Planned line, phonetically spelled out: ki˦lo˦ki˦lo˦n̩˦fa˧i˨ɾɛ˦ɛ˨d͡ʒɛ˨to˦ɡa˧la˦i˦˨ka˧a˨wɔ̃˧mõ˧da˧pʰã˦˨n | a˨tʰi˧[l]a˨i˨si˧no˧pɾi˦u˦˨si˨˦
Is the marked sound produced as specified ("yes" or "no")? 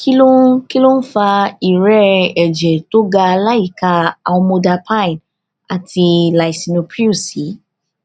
yes